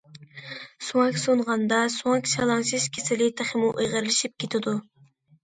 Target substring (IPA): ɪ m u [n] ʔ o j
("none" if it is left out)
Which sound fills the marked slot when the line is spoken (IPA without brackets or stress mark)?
none